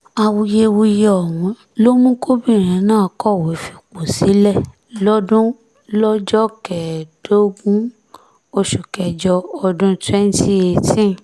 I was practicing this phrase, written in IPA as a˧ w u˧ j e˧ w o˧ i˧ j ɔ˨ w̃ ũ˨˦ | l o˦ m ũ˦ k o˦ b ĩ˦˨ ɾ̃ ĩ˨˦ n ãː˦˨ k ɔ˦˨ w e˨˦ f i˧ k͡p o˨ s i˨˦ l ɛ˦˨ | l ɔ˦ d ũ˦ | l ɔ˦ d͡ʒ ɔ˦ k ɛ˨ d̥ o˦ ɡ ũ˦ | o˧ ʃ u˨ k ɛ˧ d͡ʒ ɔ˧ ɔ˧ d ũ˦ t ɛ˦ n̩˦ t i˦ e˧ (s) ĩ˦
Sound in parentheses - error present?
yes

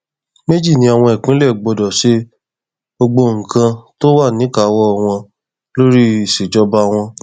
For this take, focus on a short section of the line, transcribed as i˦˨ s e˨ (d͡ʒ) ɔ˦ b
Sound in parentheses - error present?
no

